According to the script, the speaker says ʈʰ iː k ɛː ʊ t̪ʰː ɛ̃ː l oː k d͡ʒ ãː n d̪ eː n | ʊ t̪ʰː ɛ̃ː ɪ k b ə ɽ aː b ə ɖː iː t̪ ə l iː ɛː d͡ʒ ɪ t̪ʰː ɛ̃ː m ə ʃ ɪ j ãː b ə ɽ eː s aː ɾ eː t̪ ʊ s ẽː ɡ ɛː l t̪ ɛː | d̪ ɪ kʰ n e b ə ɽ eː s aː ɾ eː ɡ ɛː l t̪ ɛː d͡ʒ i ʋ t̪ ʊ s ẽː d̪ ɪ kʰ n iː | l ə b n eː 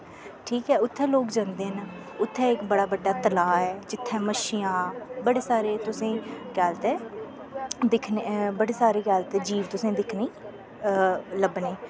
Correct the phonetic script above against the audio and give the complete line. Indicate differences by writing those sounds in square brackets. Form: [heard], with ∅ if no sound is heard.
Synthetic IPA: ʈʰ iː k ɛː ʊ t̪ʰː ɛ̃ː l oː k d͡ʒ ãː n d̪ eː n | ʊ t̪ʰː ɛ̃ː ɪ k b ə ɽ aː b ə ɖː [aː] t̪ ə l [aː] ɛː d͡ʒ ɪ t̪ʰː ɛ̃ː m ə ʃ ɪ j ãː b ə ɽ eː s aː ɾ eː t̪ ʊ s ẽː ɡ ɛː l t̪ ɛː | d̪ ɪ kʰ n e b ə ɽ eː s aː ɾ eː ɡ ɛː l t̪ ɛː d͡ʒ [iː] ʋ t̪ ʊ s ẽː d̪ ɪ kʰ n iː | l ə b n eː